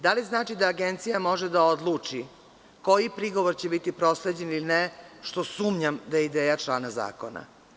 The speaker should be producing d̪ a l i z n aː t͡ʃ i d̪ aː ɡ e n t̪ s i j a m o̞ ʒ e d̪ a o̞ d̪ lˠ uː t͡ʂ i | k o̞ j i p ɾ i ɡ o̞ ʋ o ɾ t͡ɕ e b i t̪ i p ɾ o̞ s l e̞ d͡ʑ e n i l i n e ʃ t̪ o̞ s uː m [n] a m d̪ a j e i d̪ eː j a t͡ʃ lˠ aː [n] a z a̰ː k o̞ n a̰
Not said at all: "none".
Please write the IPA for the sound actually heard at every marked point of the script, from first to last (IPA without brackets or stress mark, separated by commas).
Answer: ɲ, n